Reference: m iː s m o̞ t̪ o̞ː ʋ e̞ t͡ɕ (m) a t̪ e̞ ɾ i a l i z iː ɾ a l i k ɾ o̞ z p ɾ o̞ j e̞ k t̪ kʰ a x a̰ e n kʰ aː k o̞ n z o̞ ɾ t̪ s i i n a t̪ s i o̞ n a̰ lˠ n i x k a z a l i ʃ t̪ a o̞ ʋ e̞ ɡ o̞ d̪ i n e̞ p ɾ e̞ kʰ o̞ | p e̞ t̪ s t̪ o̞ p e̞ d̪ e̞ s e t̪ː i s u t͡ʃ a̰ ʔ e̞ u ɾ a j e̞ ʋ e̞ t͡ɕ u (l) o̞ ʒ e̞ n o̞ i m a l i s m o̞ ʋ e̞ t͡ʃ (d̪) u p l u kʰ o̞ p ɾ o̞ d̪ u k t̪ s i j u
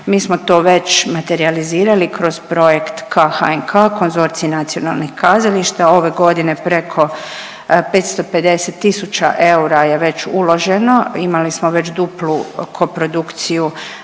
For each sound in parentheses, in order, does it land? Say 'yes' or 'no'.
yes, yes, yes

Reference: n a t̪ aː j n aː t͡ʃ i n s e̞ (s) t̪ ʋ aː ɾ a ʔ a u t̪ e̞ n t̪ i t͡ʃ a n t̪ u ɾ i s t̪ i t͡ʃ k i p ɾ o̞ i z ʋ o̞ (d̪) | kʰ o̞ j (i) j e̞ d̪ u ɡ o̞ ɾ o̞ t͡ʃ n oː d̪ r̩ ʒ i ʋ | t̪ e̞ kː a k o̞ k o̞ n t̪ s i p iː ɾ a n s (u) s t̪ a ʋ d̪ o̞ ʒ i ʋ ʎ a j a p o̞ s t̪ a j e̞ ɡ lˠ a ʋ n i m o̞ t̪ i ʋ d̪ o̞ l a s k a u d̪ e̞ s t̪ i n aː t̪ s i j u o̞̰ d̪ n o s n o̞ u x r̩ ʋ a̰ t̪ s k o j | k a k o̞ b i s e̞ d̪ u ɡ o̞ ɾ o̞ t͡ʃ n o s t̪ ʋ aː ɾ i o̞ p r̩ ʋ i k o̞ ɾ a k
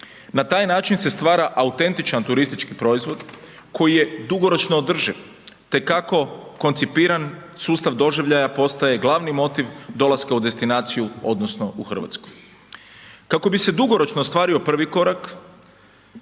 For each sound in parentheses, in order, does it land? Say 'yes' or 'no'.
yes, yes, yes, no

